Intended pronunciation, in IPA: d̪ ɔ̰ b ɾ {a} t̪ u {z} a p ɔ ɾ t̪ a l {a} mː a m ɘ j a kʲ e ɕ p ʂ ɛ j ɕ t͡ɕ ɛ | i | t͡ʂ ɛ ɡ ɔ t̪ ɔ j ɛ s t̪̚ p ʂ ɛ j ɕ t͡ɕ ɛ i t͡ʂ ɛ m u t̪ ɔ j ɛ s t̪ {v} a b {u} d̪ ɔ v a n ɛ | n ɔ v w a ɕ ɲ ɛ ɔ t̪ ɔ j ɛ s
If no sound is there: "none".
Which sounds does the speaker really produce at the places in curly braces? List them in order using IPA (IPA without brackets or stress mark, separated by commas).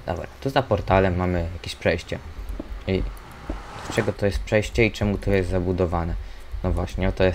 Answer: a, z, ɛ, z, u